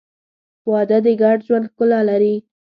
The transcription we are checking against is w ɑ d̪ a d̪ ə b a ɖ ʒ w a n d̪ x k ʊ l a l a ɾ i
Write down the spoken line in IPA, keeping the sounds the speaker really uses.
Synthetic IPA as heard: w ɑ d̪ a d̪ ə ɡ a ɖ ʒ w a n d̪ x k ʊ l a l a ɾ i